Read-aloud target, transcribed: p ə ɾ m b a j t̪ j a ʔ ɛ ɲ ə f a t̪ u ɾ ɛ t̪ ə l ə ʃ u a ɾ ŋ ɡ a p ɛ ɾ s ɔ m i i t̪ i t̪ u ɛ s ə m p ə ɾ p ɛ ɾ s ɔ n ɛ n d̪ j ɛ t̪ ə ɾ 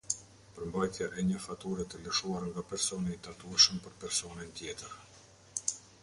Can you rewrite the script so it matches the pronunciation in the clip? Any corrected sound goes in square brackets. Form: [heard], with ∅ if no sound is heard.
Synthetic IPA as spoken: p ə ɾ m b a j t̪ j a ʔ ɛ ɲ ə f a t̪ u ɾ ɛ t̪ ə l ə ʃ u a ɾ ŋ ɡ a p ɛ ɾ s ɔ [n] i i t̪ [a] t̪ u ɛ [ʃ] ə m p ə ɾ p ɛ ɾ s ɔ n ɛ n [t̪] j ɛ t̪ ə ɾ

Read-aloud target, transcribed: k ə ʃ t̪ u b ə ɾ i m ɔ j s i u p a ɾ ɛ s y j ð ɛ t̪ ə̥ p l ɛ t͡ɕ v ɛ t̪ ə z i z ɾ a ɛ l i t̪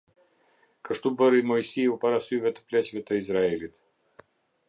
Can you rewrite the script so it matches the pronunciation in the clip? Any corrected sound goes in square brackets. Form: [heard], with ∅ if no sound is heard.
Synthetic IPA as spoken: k ə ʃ t̪ u b ə ɾ i m ɔ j s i u p a ɾ [a] s y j [v] ɛ t̪ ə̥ p l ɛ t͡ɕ v ɛ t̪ ə [∅] i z ɾ a ɛ l i t̪

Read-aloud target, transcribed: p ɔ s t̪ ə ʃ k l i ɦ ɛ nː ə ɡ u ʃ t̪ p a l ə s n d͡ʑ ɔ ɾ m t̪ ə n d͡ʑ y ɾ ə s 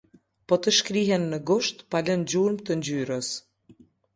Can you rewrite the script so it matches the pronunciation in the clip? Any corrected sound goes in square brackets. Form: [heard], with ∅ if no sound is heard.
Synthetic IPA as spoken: p ɔ [∅] t̪ ə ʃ k [ɾ] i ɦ ɛ nː ə ɡ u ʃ t̪ p a l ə [∅] n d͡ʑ [u] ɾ m t̪ ə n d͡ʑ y ɾ ə s

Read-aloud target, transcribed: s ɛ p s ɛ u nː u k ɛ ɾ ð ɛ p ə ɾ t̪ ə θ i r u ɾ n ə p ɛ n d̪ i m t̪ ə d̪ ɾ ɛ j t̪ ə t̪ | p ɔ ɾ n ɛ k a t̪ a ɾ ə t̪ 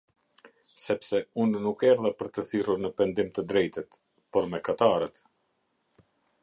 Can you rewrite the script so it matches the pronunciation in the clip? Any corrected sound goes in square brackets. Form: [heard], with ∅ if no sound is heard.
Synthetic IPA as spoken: s ɛ p s ɛ u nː u k ɛ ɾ ð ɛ p ə ɾ t̪ ə θ i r u ɾ n ə p ɛ n d̪ i m t̪ ə d̪ ɾ ɛ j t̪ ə t̪ | p ɔ ɾ [m] ɛ k a t̪ a ɾ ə t̪

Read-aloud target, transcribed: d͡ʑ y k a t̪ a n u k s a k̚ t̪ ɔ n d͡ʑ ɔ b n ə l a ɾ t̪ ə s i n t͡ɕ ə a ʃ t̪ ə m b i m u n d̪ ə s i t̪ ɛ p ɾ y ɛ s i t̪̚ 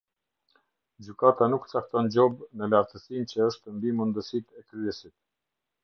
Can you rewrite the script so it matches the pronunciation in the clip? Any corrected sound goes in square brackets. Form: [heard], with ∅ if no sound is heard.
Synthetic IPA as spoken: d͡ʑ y k a t̪ a n u k [t͡s] a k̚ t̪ ɔ n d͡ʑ ɔ b n ə l a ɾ t̪ ə s i n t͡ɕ ə [ə] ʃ t̪ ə m b i m u n d̪ ə s i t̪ ɛ [k] ɾ y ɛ s i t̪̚

